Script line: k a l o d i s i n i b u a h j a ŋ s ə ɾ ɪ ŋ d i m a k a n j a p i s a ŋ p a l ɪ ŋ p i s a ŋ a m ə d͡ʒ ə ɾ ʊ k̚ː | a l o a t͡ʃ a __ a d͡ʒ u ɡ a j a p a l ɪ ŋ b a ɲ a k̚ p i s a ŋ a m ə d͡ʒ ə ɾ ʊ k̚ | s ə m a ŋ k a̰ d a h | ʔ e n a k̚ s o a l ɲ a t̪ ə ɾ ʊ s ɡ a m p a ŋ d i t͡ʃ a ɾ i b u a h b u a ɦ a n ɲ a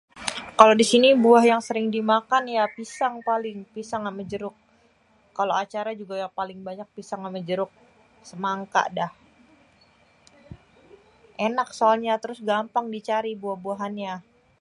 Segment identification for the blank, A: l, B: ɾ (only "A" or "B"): B